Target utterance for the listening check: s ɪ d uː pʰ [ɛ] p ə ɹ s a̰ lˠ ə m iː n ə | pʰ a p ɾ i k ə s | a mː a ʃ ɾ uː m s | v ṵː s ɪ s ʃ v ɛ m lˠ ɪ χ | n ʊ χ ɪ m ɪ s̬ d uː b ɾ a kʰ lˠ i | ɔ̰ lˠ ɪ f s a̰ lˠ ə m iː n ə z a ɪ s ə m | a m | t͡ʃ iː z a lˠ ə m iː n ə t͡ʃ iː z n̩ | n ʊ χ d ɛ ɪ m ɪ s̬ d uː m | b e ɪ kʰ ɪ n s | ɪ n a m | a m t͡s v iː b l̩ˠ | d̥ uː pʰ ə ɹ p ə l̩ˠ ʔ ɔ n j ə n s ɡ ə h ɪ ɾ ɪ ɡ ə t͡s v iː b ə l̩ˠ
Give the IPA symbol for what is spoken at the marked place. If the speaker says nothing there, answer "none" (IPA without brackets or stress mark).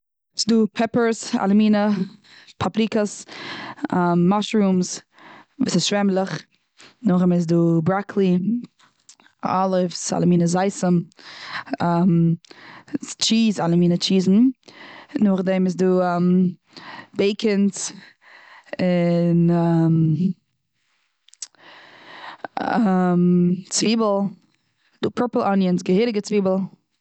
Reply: ɛ